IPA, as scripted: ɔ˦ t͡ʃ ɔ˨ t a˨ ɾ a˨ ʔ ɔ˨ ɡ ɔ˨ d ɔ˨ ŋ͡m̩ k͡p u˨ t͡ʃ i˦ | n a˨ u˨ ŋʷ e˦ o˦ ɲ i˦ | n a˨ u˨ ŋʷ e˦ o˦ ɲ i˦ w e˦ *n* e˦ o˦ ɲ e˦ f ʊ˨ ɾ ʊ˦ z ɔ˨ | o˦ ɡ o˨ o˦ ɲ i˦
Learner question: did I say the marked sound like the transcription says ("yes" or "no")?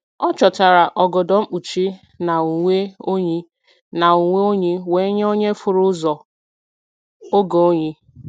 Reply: no